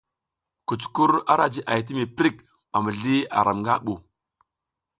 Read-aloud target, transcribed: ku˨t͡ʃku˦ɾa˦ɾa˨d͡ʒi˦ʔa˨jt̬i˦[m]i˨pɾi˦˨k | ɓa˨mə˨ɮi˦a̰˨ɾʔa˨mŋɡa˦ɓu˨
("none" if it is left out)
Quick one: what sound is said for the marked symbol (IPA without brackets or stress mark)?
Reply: m